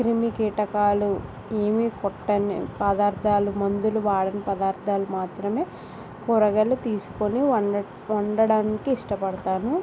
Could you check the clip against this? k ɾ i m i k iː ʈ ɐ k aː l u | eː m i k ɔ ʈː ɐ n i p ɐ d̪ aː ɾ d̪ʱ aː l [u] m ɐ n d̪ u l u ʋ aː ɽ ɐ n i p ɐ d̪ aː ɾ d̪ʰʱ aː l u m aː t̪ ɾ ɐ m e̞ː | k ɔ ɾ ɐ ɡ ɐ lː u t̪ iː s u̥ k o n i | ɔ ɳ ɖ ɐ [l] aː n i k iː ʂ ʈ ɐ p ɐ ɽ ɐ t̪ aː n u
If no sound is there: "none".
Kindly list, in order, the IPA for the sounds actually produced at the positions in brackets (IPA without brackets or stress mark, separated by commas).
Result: u, ɽ